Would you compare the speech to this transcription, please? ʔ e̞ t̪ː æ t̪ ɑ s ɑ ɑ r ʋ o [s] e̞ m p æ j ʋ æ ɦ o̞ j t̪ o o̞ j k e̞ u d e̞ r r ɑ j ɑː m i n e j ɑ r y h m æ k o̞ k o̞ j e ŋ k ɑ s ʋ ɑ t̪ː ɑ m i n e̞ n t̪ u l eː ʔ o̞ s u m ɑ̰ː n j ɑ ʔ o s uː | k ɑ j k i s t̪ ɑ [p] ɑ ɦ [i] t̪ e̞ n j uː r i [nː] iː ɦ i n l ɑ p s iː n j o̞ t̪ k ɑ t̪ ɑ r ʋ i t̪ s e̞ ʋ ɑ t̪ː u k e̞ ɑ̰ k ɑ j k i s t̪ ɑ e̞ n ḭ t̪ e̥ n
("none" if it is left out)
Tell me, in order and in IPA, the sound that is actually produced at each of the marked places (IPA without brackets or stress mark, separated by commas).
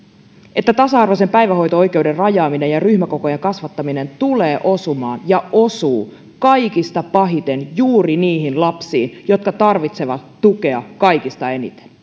s, p, i, n